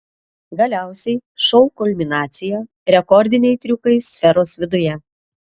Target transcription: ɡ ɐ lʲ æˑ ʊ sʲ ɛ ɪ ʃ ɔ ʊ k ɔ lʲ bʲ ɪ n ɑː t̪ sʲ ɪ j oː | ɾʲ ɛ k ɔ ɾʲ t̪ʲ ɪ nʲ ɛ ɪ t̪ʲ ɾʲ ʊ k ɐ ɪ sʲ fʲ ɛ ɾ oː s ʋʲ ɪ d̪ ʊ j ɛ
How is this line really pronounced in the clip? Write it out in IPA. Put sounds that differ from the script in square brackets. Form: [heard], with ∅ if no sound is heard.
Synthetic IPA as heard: ɡ ɐ lʲ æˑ ʊ sʲ ɛ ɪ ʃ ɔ ʊ k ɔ lʲ [mʲ] ɪ n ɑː t̪ sʲ ɪ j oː | ɾʲ ɛ k ɔ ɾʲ [d̪ʲ] ɪ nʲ ɛ ɪ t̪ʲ ɾʲ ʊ k ɐ ɪ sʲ fʲ ɛ ɾ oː s ʋʲ ɪ d̪ ʊ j ɛ